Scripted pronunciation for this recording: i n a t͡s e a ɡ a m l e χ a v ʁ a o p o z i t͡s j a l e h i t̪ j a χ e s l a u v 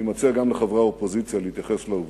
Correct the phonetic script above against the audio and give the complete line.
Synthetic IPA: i m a t͡s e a ɡ a m l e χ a v ʁ a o p o z i t͡s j a l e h i t̪ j a χ e s l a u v

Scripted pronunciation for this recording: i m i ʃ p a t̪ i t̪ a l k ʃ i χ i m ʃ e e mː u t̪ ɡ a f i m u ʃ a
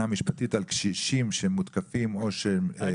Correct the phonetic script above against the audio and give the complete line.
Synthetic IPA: a m i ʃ p a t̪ i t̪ a l k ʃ i ʃ i m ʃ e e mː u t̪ k a f i m o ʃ e

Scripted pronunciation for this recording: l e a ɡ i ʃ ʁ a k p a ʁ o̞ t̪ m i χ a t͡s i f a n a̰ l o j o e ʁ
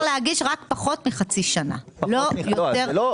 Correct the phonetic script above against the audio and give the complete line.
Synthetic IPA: l e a ɡ i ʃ ʁ a k p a χ o̞ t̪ m i χ a t͡s i ʃ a n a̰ l o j o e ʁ

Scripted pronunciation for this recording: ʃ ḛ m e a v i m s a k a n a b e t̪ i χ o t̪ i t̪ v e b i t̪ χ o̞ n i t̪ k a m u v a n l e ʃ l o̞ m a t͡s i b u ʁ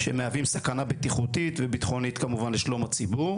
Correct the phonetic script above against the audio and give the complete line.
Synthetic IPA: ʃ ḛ m e a v i m s a k a n a b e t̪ i χ u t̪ i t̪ v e b i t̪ χ o̞ n i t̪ k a m u v a n l e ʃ l o̞ m a t͡s i b u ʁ

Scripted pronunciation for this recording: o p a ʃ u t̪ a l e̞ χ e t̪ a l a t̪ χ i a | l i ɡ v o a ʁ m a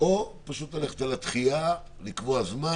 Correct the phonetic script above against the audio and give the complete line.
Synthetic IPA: o p a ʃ u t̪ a l e̞ χ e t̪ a l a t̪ χ i a | l i k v o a z m a

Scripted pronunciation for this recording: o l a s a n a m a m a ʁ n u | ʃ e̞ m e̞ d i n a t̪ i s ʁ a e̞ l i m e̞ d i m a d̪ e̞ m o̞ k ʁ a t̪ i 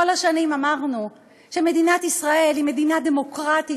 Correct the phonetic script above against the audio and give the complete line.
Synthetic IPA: o l a ʃ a n i m a m a ʁ n u | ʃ e̞ m e̞ d i n a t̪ i s ʁ a e̞ l i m e̞ d i n a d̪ e̞ m o̞ k ʁ a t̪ i

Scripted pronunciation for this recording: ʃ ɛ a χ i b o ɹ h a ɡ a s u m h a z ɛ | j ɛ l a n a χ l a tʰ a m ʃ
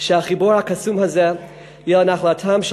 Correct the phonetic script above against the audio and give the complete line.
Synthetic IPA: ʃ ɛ a χ i b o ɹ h a k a s u m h a z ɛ | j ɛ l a n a χ l a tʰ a m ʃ

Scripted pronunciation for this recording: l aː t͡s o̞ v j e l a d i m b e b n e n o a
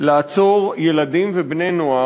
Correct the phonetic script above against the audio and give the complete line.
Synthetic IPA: l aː t͡s o̞ ʁ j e l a d i m v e b n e n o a

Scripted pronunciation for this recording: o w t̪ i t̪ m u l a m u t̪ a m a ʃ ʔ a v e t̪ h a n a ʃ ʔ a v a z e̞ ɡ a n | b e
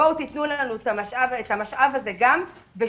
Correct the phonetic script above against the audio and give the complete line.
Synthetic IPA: o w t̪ i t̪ n u l a n u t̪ a m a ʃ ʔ a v e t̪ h a m a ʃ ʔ a v a z e̞ ɡ a m | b e

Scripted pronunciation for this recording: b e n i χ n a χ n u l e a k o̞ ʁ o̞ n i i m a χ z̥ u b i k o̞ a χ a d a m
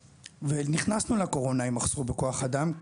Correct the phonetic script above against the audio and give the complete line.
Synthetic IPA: v e n i χ n a s n u l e a k o̞ ʁ o̞ n a i m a χ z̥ u b e k o̞ a χ a d a m

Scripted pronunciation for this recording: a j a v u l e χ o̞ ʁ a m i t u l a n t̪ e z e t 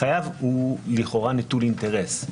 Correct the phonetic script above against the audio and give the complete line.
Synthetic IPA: a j a v u l i χ o̞ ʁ a n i t u l i n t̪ e ʁ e s

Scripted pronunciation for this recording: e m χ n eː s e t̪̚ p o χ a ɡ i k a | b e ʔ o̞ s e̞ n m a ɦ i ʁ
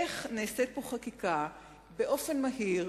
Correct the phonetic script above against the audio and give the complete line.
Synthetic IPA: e χ n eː s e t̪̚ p o χ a k i k a | b e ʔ o̞ f e̞ n m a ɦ i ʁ

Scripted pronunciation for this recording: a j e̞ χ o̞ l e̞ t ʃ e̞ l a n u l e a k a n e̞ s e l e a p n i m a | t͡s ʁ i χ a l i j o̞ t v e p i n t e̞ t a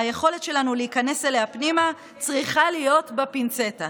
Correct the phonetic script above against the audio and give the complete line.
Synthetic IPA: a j e̞ χ o̞ l e̞ t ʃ e̞ l a n u l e i k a n e̞ s e l e a p n i m a | t͡s ʁ i χ a l i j o̞ t b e p i n t͡s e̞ t a

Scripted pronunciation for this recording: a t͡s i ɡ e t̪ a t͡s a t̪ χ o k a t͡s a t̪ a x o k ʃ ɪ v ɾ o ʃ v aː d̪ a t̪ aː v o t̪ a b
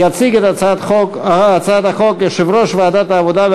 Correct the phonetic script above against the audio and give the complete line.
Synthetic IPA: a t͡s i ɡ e t̪ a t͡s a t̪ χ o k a t͡s a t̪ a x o k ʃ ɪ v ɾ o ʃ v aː d̪ a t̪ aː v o d̪ a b

